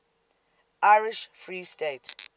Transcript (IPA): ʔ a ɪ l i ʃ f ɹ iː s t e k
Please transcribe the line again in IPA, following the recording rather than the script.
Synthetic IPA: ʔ a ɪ ɹ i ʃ f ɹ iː s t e t